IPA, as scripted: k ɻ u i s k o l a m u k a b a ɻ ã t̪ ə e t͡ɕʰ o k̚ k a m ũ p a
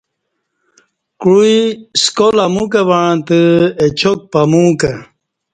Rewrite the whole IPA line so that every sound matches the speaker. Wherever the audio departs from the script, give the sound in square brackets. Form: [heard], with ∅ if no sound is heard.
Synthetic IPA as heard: k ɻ u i s k o l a m u k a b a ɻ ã t̪ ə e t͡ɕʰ o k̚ [p] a m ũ [k] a